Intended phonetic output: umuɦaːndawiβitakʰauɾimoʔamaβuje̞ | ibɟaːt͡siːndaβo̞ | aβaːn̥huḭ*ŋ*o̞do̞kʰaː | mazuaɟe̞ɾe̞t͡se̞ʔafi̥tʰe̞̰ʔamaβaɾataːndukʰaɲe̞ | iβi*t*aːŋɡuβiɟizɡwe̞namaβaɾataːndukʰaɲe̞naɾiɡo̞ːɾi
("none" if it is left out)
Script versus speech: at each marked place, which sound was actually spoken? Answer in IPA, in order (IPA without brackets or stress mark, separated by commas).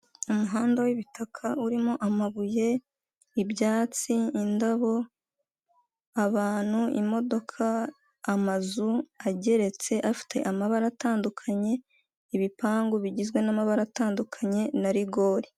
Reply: m, p